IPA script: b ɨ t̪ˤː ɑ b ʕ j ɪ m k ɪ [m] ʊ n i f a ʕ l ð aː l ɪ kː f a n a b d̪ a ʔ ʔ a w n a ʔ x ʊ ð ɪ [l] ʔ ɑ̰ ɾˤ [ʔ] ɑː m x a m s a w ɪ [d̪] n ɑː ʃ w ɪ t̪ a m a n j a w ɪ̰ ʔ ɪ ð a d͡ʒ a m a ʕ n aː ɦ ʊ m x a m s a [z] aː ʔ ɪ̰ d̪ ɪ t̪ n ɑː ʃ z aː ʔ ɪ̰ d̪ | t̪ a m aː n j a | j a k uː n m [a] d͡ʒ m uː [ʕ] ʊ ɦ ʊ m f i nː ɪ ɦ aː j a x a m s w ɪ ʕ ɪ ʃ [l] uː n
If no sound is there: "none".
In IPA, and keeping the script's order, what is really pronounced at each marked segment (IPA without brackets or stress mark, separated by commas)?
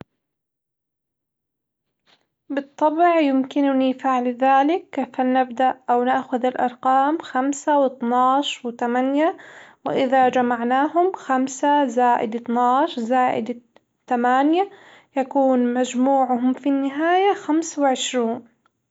n, l, q, t̪, z, a, ʕ, ɾ